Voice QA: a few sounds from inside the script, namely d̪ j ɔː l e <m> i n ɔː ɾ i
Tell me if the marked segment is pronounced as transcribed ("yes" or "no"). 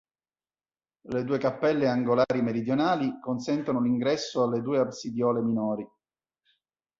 yes